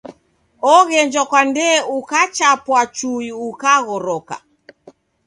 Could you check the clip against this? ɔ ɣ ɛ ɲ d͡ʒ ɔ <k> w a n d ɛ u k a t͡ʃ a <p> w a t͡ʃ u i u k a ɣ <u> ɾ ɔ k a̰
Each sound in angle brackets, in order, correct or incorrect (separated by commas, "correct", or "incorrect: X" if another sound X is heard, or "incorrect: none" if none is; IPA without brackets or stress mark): correct, correct, incorrect: ɔ